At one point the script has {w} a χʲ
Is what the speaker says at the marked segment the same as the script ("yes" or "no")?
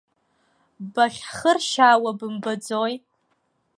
no